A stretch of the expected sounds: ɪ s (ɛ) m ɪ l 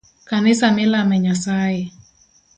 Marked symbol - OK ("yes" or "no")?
no